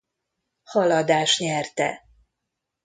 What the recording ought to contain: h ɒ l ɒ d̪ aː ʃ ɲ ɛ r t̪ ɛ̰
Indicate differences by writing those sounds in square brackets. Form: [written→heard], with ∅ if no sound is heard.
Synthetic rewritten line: h ɒ l ɒ d̪ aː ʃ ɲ ɛ r t̪ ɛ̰